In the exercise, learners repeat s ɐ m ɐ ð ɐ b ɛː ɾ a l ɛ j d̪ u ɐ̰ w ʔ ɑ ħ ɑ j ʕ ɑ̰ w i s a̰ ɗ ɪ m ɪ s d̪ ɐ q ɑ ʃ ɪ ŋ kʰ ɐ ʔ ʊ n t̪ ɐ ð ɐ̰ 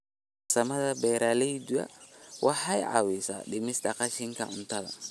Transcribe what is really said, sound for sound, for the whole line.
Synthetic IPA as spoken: s ɐ m ɐ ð ɐ b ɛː ɾ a l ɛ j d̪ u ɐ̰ w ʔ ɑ ħ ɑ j ʕ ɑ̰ w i s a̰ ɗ ɪ m ɪ s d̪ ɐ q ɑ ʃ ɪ ŋ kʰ ɐ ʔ ʊ n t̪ ɐ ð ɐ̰